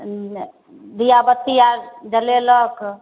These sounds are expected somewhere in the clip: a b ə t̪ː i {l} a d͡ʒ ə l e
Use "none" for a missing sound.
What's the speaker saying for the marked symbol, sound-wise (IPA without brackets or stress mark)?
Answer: none